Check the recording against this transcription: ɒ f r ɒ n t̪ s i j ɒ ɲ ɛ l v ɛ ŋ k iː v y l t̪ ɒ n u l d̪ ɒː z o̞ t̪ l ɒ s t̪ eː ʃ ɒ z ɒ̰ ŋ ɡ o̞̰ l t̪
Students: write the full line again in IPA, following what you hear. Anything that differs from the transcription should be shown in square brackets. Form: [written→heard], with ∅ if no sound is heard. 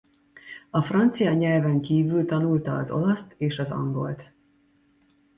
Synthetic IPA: ɒ f r ɒ n t̪ s i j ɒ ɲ ɛ l v ɛ ŋ k iː v y l t̪ ɒ n u l [d̪→t̪] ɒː z o̞ [t̪→∅] l ɒ s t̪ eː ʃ ɒ z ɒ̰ ŋ ɡ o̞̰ l t̪

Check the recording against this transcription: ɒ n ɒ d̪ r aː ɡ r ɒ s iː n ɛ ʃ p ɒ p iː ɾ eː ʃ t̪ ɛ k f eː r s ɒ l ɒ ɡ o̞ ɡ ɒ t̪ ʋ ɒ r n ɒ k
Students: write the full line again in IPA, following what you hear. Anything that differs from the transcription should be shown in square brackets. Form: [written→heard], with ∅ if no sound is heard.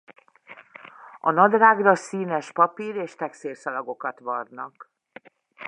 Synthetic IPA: ɒ n ɒ d̪ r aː ɡ r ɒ s iː n ɛ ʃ p ɒ p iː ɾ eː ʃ t̪ ɛ k [f→s] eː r s ɒ l ɒ ɡ o̞ [ɡ→k] ɒ t̪ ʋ ɒ r n ɒ k

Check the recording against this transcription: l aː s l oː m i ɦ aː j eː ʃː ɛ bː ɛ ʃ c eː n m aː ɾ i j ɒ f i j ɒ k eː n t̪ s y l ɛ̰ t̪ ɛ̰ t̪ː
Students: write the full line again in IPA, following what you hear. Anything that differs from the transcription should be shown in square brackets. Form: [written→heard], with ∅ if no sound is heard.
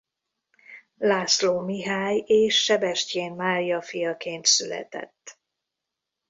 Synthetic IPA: l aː s l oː m i ɦ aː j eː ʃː ɛ [bː→b] ɛ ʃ c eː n m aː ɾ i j ɒ f i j ɒ k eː n t̪ s y l ɛ̰ t̪ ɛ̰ t̪ː

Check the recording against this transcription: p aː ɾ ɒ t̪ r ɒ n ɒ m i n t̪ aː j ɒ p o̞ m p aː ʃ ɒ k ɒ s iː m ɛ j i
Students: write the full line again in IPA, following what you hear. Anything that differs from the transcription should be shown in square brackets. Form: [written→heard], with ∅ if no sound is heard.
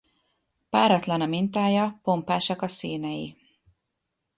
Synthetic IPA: p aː ɾ ɒ t̪ [r→l] ɒ n ɒ m i n t̪ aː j ɒ p o̞ m p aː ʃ ɒ k ɒ s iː [m→n] ɛ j i

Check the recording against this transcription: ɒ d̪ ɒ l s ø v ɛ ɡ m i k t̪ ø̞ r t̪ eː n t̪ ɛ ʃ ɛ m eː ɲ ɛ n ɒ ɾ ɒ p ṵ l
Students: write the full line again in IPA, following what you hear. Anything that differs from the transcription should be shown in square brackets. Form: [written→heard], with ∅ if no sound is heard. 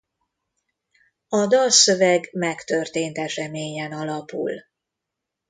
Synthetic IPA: ɒ d̪ ɒ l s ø v ɛ ɡ m [i→ɛ] k t̪ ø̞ r t̪ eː n t̪ ɛ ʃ ɛ m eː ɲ ɛ n ɒ [ɾ→l] ɒ p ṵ l

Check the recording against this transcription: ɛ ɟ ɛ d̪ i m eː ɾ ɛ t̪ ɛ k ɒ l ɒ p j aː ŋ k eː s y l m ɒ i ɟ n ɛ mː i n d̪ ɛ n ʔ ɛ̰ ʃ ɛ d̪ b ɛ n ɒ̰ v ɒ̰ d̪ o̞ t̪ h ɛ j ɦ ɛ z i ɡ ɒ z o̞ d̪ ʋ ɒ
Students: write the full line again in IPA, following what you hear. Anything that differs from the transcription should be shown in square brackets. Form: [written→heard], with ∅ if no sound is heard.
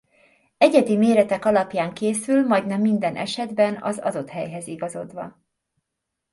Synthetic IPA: ɛ ɟ ɛ d̪ i m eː ɾ ɛ t̪ ɛ k ɒ l ɒ p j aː ŋ k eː s y l m ɒ [i→j] ɟ n ɛ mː i n d̪ ɛ n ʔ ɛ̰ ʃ ɛ d̪ b ɛ n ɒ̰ [v→z] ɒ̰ d̪ o̞ t̪ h ɛ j ɦ ɛ z i ɡ ɒ z o̞ d̪ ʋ ɒ

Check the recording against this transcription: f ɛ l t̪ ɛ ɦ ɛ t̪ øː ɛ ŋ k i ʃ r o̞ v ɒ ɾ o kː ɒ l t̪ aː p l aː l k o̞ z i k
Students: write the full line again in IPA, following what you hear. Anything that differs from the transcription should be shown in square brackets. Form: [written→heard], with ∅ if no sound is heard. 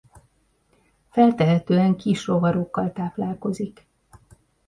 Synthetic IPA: f ɛ l t̪ ɛ ɦ ɛ t̪ øː ɛ ŋ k i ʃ r o̞ v ɒ ɾ o kː ɒ l t̪ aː p l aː l k o̞ z i k

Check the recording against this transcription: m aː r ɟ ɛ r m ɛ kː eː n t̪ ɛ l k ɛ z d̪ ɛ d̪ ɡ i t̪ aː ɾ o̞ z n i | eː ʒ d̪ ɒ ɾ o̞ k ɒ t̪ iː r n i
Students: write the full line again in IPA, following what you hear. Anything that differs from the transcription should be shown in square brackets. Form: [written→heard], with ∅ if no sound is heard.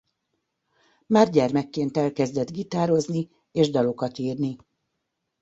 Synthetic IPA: m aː r ɟ ɛ r m ɛ kː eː n t̪ ɛ l k ɛ z d̪ ɛ d̪ ɡ i t̪ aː ɾ o̞ z n i | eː ʒ d̪ ɒ [ɾ→l] o̞ k ɒ t̪ iː r n i

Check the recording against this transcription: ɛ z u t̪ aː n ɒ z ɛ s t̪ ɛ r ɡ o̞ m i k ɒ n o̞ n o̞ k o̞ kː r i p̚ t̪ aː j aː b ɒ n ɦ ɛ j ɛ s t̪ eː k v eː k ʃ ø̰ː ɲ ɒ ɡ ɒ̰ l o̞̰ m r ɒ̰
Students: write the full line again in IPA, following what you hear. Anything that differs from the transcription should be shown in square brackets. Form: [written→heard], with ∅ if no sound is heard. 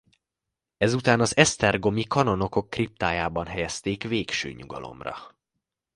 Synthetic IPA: ɛ z u t̪ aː n ɒ z ɛ s t̪ ɛ r ɡ o̞ m i k ɒ n o̞ n o̞ k o̞ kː r i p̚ t̪ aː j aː b ɒ n ɦ ɛ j ɛ s t̪ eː k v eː k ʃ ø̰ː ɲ [ɒ→u] ɡ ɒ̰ l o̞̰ m r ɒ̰

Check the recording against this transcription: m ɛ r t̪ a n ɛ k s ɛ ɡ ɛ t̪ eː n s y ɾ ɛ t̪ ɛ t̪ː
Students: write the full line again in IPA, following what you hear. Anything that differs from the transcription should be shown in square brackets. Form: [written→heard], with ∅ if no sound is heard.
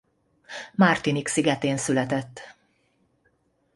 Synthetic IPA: m [ɛ→a] r t̪ [a→i] n [ɛ→i] k s [ɛ→i] ɡ ɛ t̪ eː n s y [ɾ→l] ɛ t̪ ɛ t̪ː

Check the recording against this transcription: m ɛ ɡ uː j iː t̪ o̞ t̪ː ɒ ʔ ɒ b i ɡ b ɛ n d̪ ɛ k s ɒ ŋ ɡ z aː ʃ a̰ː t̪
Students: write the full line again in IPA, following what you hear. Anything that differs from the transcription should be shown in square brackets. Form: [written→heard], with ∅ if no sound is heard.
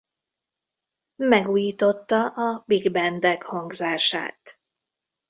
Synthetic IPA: m ɛ ɡ uː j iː t̪ o̞ t̪ː ɒ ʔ ɒ b i ɡ b ɛ n d̪ ɛ k [s→h] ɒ ŋ ɡ z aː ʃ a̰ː t̪

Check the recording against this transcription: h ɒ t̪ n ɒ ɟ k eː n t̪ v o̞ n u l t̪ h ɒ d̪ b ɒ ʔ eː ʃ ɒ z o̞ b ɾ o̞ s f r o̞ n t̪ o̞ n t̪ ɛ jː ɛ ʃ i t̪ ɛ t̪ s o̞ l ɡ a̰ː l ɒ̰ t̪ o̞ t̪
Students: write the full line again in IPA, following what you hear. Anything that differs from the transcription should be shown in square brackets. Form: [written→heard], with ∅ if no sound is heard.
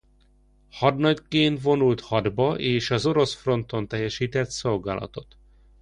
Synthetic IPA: h ɒ [t̪→d̪] n ɒ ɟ k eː n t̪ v o̞ n u l t̪ h ɒ d̪ b ɒ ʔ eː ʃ ɒ z o̞ [b→∅] ɾ o̞ s f r o̞ n t̪ o̞ n t̪ ɛ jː ɛ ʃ [i→iː] t̪ ɛ t̪ s o̞ l ɡ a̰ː l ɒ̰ t̪ o̞ t̪

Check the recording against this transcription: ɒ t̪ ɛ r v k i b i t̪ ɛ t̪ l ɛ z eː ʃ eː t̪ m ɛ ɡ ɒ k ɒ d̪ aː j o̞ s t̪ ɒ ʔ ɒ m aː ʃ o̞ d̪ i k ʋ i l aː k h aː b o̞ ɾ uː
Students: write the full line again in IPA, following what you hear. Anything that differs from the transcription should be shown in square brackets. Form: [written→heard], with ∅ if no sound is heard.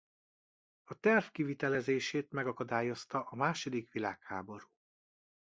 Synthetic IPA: ɒ t̪ ɛ r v k i [b→v] i t̪ ɛ [t̪→∅] l ɛ z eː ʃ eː t̪ m ɛ ɡ ɒ k ɒ d̪ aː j o̞ s t̪ ɒ ʔ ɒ m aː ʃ o̞ d̪ i k ʋ i l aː k h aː b o̞ ɾ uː

